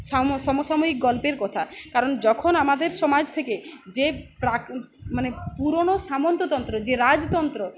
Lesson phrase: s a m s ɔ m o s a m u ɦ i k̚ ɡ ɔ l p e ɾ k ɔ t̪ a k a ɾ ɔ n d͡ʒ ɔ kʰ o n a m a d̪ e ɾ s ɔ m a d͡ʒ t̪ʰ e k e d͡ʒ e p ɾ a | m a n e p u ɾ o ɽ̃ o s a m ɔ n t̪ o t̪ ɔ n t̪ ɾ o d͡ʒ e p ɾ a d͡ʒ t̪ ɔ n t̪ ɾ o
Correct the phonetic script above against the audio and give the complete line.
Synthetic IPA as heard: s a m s ɔ m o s a m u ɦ i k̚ ɡ ɔ l p e ɾ k ɔ t̪ʰ a k a ɾ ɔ n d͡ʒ ɔ kʰ o n a m a d̪ e ɾ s ɔ m a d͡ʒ t̪ʰ e k e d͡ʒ e p ɾ a | m a n e p u ɾ o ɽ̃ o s a m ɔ n t̪ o t̪ ɔ n t̪ ɾ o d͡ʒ e ɾ a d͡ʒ t̪ ɔ n t̪ ɾ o